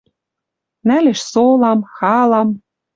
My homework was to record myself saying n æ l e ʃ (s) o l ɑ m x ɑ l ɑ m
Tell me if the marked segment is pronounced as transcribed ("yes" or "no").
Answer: yes